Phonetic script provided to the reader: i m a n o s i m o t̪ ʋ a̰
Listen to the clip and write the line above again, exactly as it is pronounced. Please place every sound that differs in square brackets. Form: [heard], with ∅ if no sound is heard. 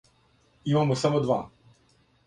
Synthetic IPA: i m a [m] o s [a] m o [d̪] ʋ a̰